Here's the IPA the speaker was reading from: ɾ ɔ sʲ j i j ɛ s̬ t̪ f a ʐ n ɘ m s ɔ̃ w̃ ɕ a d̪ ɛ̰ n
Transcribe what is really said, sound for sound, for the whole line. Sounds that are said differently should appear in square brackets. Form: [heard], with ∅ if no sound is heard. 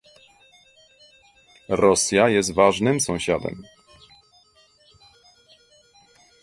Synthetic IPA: ɾ ɔ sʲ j [a] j ɛ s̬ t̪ [v] a ʐ n ɘ m s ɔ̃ w̃ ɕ a d̪ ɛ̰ [m]